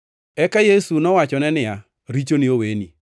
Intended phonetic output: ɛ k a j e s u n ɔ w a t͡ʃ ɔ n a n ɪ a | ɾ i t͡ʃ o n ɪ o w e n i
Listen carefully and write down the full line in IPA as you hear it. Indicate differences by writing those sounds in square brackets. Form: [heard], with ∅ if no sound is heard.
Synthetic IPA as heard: ɛ k a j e s u n ɔ w a t͡ʃ ɔ n [ɛ] n ɪ a | ɾ i t͡ʃ o n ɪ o w e n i